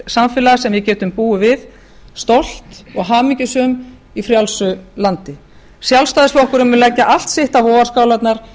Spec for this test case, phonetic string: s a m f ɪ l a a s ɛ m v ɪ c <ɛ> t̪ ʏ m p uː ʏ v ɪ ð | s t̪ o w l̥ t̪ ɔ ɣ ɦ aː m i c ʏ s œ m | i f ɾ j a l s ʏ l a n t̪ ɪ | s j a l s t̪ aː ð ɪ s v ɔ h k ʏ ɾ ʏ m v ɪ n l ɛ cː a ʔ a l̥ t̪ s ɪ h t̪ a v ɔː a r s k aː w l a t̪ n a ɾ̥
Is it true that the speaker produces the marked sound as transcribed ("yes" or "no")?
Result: no